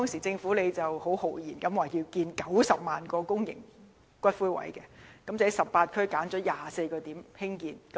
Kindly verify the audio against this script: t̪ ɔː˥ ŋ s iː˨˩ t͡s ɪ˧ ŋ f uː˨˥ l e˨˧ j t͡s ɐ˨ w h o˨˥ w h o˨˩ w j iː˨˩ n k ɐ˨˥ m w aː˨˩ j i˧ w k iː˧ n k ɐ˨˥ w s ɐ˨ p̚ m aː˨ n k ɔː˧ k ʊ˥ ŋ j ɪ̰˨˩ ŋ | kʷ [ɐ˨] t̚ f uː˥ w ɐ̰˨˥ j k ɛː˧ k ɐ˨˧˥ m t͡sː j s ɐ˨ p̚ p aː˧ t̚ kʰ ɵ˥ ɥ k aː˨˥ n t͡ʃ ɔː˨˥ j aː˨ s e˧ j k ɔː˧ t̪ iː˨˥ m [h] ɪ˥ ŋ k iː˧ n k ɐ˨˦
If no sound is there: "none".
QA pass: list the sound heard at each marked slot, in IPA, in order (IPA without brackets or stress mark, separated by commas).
ɐ˥, h